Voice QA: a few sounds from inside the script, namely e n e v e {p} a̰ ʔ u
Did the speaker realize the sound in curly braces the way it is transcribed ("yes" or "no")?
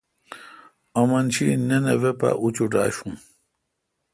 yes